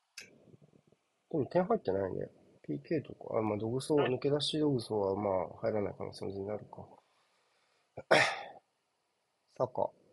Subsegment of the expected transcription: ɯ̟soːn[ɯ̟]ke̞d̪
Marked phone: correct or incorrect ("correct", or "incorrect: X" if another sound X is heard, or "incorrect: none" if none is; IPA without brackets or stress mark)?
correct